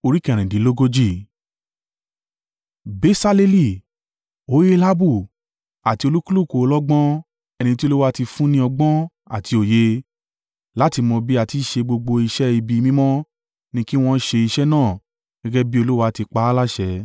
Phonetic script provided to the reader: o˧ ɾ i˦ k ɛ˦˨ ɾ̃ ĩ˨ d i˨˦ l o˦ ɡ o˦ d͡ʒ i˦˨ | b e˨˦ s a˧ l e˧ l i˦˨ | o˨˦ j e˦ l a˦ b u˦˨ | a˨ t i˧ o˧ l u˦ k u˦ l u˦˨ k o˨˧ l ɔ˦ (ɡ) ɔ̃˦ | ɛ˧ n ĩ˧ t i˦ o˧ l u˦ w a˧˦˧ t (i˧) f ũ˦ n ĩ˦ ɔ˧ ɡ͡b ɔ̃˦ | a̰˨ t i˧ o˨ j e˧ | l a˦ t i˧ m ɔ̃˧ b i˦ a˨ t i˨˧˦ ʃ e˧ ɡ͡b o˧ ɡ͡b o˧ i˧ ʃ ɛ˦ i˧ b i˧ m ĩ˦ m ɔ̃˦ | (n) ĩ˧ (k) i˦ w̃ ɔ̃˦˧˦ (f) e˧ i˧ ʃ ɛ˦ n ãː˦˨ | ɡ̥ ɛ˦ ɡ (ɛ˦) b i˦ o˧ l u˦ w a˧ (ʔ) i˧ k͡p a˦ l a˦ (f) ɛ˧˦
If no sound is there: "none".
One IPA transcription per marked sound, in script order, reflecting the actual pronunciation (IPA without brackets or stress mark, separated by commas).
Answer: ɡ͡b, i˧, n, k, ʃ, ɛ˦, t, ʃ